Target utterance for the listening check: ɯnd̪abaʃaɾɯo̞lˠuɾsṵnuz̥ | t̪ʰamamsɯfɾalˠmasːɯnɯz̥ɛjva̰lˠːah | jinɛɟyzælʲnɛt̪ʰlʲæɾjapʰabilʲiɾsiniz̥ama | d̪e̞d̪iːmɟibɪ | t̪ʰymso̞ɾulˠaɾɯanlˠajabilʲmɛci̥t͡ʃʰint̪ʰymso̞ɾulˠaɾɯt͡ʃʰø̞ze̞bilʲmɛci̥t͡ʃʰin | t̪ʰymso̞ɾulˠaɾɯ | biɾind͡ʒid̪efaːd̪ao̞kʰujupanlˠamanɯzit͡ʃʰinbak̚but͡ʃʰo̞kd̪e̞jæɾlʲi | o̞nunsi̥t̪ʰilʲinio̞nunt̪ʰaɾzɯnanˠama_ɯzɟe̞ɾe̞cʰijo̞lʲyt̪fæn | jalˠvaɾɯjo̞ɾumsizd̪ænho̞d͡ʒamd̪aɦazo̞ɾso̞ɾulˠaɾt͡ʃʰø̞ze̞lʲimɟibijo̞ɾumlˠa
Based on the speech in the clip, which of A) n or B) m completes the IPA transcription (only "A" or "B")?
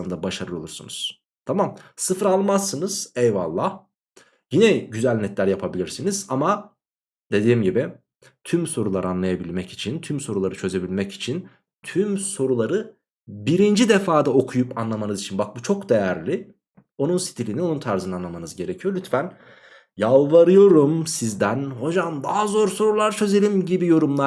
A